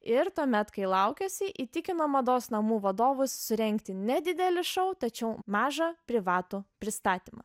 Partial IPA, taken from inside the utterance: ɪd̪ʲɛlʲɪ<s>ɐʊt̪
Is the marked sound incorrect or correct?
incorrect